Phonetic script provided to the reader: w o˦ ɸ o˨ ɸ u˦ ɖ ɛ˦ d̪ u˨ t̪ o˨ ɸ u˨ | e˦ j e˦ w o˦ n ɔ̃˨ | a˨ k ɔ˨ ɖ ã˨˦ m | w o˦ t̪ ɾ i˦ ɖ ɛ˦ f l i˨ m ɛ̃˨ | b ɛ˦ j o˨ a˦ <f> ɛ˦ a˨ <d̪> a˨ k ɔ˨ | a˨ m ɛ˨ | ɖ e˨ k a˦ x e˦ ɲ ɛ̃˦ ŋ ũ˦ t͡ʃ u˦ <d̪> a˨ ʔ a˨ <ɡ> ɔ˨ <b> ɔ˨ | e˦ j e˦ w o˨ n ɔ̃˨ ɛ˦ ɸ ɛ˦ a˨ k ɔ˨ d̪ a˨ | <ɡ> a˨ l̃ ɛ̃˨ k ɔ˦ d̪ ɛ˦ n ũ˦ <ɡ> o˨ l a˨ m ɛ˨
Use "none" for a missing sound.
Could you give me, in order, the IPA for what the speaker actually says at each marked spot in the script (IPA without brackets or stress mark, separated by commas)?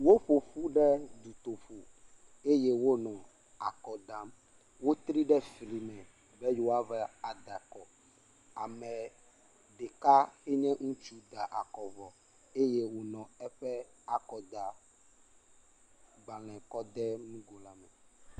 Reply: v, d̪, d̪, k, v, ɡ͡b, ɡ